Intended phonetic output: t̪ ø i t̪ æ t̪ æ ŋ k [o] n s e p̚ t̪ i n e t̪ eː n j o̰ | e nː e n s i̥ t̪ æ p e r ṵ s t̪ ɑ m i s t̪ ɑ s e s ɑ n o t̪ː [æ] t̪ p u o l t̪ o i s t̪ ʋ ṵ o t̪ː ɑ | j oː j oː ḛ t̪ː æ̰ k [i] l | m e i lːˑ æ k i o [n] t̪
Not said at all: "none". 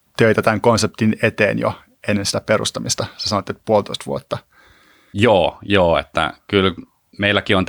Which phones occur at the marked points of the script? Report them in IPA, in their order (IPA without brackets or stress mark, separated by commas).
o, e, y, n